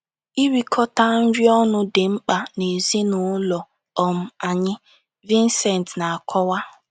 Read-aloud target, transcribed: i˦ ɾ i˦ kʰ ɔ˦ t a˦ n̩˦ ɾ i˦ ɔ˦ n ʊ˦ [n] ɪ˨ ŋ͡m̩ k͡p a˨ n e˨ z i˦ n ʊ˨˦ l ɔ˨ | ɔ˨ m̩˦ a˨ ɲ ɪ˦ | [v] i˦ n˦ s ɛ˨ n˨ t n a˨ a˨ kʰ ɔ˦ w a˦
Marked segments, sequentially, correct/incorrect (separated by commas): incorrect, correct